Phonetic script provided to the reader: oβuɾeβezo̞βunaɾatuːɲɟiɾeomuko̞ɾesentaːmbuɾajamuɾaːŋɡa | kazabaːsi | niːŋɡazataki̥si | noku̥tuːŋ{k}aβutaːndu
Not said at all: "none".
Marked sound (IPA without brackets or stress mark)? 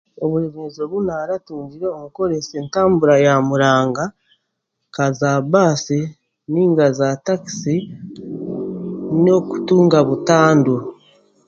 ɡ